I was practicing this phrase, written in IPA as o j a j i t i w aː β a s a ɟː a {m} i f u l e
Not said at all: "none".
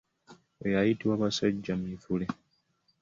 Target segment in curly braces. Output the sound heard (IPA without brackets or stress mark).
m